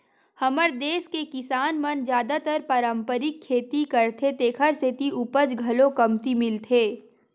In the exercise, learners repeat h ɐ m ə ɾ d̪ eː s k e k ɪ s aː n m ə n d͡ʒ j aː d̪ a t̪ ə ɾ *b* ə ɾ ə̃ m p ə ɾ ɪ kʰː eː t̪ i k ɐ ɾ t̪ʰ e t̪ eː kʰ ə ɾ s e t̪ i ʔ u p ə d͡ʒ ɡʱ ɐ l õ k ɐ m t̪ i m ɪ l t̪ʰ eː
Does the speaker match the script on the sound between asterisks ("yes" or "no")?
no